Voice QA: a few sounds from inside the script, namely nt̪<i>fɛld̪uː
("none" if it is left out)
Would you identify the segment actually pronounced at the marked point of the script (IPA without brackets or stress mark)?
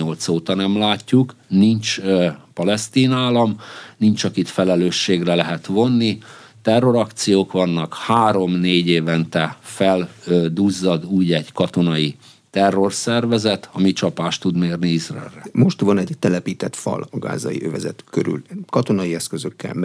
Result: ɛ